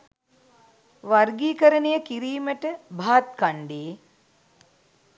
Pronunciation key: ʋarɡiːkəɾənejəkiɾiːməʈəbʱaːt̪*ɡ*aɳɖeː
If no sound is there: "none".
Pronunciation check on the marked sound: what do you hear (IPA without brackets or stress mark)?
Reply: k